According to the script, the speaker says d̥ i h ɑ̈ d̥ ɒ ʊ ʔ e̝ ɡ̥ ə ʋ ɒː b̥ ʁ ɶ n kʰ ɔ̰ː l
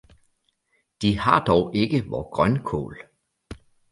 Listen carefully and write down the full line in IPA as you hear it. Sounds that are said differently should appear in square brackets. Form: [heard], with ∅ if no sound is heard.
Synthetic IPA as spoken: d̥ i h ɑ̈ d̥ ɒ ʊ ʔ e̝ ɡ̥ ə ʋ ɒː [ɡ̥] ʁ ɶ n kʰ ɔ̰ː l